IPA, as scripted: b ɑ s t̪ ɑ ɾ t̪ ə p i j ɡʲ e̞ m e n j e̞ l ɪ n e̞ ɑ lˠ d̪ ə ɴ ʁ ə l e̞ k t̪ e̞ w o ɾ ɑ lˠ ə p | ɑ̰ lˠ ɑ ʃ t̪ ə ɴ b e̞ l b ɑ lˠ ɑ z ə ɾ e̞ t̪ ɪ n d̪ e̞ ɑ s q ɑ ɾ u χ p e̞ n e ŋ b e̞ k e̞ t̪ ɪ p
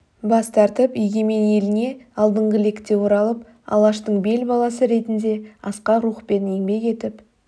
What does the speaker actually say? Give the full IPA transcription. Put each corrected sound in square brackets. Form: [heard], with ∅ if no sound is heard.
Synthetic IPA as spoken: b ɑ s t̪ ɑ ɾ t̪ ə p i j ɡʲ e̞ m e n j e̞ l ɪ n e̞ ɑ lˠ d̪ ə ɴ ʁ ə l e̞ k t̪ e̞ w o ɾ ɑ lˠ ə p | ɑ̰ lˠ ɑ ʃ t̪ ə ɴ b e̞ l b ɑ lˠ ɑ [s] ə ɾ e̞ t̪ ɪ n d̪ e̞ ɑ s q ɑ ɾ u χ p e̞ n e ŋ b e̞ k e̞ t̪ ɪ p